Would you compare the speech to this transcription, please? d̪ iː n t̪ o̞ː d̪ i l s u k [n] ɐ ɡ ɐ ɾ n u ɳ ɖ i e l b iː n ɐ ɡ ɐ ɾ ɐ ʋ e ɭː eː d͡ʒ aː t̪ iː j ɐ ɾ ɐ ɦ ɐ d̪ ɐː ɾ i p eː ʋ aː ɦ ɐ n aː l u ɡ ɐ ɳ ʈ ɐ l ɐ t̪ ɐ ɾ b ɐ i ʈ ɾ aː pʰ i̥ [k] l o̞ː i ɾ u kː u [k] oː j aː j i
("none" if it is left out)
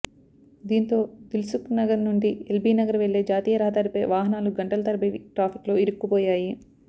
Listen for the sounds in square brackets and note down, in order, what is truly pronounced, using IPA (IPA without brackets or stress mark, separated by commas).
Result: n, k, p